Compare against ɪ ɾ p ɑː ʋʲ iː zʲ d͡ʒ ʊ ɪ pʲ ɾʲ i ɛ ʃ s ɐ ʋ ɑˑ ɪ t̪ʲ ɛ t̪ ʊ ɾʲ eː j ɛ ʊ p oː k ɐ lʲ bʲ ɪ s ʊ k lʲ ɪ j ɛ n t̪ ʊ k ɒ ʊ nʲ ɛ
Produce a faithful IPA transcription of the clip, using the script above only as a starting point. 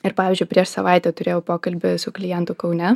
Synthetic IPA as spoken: ɪ ɾ p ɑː ʋʲ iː zʲ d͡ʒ ʊ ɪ pʲ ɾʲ i ɛ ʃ s ɐ ʋ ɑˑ ɪ t̪ʲ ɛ t̪ ʊ ɾʲ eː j ɛ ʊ p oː k ɐ lʲ bʲ ɪ s ʊ k lʲ ɪ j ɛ n t̪ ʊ k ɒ ʊ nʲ ɛ